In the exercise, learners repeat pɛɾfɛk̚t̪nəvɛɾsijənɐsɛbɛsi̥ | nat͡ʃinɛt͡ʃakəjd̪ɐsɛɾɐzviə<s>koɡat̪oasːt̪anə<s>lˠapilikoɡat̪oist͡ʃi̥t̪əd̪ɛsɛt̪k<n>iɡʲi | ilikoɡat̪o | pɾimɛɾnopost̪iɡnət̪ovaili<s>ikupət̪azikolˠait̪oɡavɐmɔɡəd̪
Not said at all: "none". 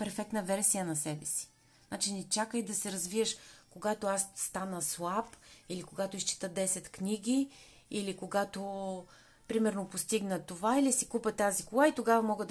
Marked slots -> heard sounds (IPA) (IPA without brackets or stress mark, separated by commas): ʃ, s, n, s